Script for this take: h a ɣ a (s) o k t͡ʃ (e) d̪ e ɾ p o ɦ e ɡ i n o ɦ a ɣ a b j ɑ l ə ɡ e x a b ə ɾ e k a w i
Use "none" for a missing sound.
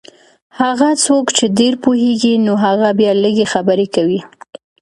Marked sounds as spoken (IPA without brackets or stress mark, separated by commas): t͡s, e